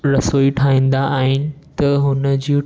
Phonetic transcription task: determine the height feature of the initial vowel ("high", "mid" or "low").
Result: low